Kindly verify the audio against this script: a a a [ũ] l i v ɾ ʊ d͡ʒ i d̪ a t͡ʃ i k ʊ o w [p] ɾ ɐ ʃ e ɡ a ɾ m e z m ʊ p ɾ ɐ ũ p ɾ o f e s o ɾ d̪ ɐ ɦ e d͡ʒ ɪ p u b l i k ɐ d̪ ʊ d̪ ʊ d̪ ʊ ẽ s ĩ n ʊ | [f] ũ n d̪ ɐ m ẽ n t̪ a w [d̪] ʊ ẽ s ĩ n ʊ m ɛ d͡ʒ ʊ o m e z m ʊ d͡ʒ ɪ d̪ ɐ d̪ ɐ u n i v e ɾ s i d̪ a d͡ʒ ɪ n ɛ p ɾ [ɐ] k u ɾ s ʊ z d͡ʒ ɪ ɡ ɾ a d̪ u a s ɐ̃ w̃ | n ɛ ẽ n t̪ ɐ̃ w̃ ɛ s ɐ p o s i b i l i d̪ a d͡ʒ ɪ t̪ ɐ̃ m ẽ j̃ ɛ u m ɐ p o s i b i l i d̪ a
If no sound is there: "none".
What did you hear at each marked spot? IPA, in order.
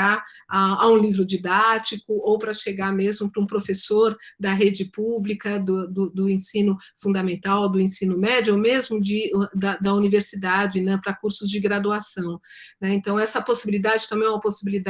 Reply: ũ, p, f, d̪, ɐ

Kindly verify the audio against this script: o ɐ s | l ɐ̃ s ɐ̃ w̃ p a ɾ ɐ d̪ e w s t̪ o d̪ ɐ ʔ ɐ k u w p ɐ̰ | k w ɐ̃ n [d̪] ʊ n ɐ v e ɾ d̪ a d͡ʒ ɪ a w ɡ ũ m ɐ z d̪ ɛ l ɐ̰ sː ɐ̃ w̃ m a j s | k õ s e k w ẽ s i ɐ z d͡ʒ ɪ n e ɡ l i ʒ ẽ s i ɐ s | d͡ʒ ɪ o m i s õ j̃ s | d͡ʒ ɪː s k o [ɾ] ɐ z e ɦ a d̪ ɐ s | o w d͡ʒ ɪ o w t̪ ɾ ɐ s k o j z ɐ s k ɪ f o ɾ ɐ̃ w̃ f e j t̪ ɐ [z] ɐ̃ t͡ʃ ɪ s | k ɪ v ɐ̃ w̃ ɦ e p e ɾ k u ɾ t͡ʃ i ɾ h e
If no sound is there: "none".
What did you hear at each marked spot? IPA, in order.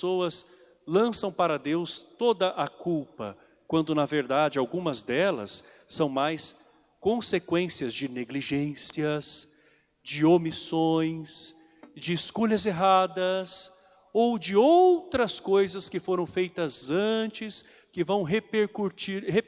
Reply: d̪, ʎ, z

